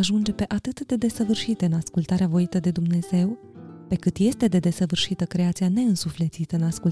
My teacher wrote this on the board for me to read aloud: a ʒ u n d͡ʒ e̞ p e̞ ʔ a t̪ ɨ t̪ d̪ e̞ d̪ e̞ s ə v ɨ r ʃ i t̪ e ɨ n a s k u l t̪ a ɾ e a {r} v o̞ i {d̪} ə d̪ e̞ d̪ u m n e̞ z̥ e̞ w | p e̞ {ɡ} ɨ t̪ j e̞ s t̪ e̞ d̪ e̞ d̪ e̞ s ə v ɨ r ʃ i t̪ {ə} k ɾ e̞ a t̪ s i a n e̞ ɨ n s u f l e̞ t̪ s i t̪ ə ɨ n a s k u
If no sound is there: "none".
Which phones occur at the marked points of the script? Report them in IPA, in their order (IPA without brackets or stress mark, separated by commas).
none, t̪, k, ə